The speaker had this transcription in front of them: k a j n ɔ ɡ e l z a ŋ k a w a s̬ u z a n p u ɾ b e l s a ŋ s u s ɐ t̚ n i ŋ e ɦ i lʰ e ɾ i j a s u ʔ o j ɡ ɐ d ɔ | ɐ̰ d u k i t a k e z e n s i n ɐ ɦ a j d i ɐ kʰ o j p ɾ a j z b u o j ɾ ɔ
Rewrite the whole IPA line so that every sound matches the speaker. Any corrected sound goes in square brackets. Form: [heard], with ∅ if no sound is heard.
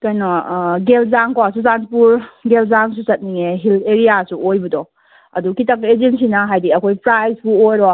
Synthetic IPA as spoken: k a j n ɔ ɡ e l z a ŋ k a w a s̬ u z a n p u ɾ [ɡ] e l [z] a ŋ s u s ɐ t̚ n i ŋ e ɦ i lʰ e ɾ i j a s u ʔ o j [b] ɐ d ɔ | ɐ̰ d u k i t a k e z e n s i n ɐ ɦ a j d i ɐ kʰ o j p ɾ a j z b u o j ɾ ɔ